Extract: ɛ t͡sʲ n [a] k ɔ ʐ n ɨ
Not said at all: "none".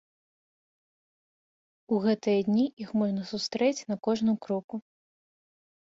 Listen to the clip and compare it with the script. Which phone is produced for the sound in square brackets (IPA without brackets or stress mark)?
ɐ